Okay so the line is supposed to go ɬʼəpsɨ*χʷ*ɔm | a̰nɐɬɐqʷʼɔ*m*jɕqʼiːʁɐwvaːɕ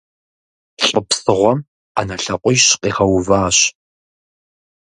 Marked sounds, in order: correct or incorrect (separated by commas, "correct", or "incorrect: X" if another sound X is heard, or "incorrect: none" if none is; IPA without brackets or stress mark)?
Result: incorrect: ʁʷ, incorrect: none